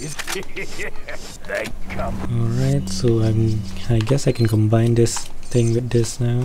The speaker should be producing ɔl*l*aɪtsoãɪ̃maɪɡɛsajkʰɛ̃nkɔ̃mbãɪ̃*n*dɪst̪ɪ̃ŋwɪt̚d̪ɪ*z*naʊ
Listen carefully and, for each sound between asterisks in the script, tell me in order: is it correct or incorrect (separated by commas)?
incorrect, correct, incorrect